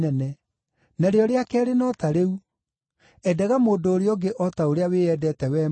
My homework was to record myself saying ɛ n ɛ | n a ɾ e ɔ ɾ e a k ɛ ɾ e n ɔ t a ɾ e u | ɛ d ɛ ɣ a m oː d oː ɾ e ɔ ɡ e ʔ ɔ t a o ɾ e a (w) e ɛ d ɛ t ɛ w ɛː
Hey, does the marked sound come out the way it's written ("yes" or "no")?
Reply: yes